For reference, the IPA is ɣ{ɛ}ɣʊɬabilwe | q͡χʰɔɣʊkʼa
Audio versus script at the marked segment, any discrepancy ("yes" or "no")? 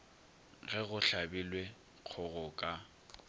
no